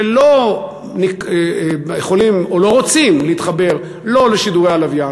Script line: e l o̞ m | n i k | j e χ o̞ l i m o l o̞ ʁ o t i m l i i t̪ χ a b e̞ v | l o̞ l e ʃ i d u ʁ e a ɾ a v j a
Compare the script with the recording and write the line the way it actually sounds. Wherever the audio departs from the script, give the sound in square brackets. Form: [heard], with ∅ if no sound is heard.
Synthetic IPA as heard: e l o̞ [∅] | n i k | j e χ o̞ l i m o l o̞ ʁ o [t͡s] i m l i i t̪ χ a b e̞ [ʁ] | l o̞ l e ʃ i d u ʁ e a [l] a v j a